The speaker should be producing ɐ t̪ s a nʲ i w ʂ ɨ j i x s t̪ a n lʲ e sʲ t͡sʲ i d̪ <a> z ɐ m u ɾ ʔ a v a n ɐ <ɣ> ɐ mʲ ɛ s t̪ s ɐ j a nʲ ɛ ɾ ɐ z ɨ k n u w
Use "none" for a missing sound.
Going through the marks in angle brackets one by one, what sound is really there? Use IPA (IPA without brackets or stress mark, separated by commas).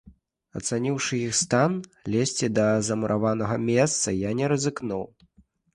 ɐ, ɣ